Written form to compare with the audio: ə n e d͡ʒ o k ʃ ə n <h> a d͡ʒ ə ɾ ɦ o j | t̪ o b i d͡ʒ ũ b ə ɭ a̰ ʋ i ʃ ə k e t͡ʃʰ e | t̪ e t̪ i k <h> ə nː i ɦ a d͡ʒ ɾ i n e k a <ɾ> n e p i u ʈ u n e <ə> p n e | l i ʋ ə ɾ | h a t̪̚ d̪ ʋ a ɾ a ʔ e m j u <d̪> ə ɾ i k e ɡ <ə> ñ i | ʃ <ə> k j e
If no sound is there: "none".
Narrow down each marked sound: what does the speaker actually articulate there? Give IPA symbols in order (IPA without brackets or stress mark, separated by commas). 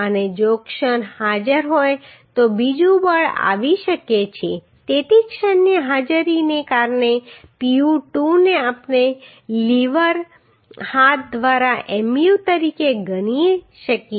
h, ʃ, ɾ, a, t̪, ə, ə